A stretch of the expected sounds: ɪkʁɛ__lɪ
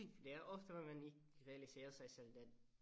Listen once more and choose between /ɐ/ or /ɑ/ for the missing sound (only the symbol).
ɑ